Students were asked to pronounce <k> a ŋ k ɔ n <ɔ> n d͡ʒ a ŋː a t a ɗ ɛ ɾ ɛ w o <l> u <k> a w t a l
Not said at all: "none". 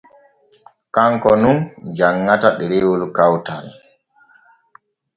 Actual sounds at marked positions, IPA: k, u, l, k

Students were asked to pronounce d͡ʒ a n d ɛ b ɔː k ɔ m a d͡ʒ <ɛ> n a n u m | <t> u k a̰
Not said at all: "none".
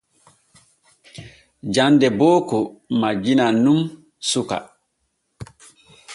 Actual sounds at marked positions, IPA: i, s

